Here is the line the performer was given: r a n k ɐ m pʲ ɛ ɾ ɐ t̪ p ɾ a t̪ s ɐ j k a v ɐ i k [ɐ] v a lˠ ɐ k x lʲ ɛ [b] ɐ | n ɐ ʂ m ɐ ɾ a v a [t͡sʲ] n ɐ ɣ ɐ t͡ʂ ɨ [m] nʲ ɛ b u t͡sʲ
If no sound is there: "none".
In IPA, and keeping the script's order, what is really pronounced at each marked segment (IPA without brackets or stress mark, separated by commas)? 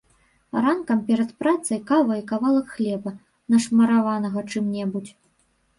a, b, none, m